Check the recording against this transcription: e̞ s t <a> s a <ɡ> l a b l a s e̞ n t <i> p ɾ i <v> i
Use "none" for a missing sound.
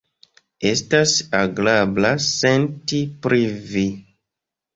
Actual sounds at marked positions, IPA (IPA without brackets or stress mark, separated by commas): a, ɡ, i, v